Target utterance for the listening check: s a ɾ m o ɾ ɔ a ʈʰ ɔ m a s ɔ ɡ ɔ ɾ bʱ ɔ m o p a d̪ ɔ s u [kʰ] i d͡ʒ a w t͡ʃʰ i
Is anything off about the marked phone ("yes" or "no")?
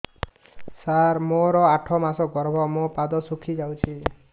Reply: no